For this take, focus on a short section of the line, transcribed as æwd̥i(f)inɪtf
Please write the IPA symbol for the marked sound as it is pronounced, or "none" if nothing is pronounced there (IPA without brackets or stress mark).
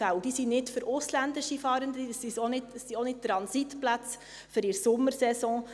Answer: s